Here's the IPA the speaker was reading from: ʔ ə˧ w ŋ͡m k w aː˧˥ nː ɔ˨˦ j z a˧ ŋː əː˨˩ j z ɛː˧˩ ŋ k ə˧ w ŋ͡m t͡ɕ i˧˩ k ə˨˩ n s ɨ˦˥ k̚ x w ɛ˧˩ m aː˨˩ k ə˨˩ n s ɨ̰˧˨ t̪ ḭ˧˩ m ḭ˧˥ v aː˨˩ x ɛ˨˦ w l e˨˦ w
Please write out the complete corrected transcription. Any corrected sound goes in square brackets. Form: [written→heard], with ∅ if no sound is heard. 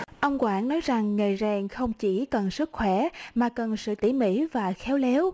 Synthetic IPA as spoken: ʔ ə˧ w ŋ͡m k w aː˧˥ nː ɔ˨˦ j z [a˧→a˨˩] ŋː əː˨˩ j z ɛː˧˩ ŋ [k→x] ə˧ w ŋ͡m t͡ɕ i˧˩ k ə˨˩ n s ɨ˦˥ k̚ x w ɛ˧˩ m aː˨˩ k ə˨˩ n s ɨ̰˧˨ t̪ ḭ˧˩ m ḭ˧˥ v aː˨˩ x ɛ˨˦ w l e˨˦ w